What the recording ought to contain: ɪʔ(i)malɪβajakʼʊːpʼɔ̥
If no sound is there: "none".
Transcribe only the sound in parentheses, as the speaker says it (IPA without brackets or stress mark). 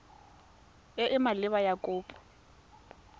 ɪ